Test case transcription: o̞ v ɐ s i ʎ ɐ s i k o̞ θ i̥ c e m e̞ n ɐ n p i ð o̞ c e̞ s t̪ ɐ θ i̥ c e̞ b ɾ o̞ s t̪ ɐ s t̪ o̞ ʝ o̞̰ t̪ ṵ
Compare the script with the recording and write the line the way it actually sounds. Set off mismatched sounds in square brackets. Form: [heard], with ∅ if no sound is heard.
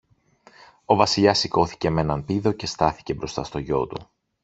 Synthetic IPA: o̞ v ɐ s i ʎ ɐ s i k o̞ θ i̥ c e m e̞ n ɐ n p i ð o̞ c e̞ s t̪ ɐ θ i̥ c e̞ b ɾ o̞ s t̪ ɐ s t̪ o̞ ʝ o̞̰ t̪ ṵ